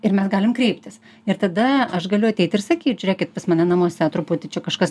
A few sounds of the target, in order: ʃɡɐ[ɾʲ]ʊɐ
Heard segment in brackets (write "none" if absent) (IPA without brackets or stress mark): lʲ